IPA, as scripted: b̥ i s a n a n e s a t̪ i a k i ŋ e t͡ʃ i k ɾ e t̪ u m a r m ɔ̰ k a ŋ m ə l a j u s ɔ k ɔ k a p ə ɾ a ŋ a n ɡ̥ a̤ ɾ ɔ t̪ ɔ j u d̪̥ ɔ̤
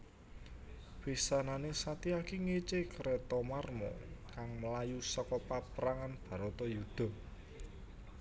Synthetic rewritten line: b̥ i s a n a n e s a t̪ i a k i ŋ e t͡ʃ e k ɾ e t̪ ɔ m a r m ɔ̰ k a ŋ m ə l a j u s ɔ k ɔ p a p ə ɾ a ŋ a n b̥ a̤ ɾ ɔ t̪ ɔ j u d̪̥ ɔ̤